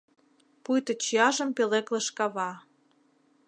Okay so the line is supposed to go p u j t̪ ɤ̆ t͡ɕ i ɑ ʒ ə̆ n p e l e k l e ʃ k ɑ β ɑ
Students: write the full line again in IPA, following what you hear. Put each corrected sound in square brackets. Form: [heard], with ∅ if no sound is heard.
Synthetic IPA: p u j t̪ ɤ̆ t͡ɕ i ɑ ʒ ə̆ [m] p e l e k l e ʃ k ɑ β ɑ